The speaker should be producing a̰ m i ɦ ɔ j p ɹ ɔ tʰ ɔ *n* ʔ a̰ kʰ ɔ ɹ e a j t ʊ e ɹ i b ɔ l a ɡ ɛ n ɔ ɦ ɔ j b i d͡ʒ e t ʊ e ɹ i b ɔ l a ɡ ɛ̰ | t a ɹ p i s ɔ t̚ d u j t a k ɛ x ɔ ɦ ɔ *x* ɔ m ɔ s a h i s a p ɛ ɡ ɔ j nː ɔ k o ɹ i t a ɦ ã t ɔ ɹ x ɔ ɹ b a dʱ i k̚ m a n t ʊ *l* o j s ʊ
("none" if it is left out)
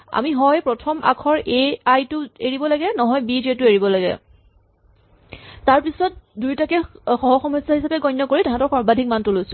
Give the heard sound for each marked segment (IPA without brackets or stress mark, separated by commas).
m, x, l